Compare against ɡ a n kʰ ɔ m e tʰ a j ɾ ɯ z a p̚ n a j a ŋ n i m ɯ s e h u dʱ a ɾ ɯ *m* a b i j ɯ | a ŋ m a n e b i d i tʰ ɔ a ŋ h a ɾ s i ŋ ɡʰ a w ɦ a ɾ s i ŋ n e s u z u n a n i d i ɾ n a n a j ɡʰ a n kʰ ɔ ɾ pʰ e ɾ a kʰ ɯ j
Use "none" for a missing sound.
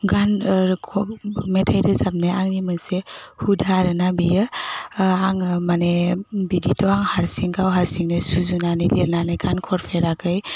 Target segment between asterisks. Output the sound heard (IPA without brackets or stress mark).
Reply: n